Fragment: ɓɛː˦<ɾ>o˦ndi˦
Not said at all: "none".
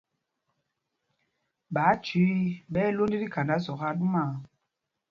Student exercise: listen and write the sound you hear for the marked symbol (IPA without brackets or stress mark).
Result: l